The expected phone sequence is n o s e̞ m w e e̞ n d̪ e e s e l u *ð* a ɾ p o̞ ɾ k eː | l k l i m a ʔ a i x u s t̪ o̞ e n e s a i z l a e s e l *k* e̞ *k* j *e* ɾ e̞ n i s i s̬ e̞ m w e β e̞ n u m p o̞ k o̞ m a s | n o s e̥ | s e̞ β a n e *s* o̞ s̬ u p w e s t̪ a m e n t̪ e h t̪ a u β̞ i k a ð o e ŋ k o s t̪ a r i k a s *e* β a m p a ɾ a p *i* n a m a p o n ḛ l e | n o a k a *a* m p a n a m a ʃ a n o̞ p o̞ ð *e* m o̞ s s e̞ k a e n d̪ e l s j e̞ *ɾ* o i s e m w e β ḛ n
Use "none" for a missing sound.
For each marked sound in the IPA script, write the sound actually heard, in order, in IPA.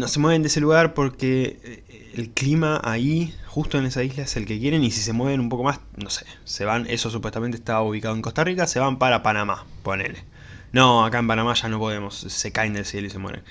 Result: ɣ, k, k, e, s, e, a, e, e, l

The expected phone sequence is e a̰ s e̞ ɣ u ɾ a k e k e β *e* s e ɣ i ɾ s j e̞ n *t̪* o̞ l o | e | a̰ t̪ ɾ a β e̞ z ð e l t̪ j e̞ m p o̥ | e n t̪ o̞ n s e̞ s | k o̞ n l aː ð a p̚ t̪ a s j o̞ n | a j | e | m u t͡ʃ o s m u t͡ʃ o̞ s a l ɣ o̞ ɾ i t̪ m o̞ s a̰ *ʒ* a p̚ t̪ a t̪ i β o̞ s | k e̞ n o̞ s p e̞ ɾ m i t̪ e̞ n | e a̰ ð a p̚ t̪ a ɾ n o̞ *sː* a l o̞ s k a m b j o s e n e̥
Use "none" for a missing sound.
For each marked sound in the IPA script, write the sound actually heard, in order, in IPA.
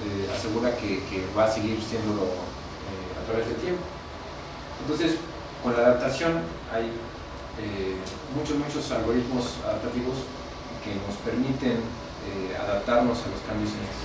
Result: a, d̪, ð, s

